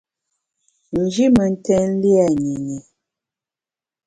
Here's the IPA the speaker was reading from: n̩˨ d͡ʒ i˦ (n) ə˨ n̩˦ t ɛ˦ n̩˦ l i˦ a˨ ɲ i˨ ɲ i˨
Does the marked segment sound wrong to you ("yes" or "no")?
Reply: yes